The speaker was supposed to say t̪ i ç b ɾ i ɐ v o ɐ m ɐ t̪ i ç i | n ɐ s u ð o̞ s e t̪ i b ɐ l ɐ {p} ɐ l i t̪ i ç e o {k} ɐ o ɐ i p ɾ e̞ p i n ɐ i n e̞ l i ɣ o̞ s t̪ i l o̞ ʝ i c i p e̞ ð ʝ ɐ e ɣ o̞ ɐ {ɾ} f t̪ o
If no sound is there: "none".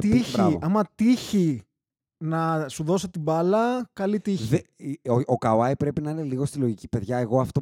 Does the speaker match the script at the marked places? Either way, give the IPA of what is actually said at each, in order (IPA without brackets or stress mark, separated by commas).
k, k, none